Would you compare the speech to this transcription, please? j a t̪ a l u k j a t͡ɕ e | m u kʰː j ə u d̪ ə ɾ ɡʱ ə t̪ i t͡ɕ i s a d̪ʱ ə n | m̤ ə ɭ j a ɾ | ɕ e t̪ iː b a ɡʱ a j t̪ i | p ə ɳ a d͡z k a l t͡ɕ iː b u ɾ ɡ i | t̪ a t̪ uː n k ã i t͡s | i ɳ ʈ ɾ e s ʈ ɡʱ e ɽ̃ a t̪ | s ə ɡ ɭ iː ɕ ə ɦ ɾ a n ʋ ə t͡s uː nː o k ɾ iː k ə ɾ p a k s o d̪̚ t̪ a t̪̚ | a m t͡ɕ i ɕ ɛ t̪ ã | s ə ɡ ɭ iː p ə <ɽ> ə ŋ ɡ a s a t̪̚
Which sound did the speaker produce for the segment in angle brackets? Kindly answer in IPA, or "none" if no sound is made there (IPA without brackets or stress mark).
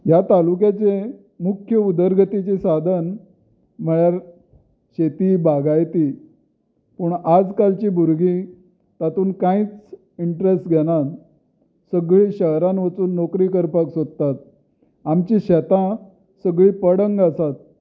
ɽ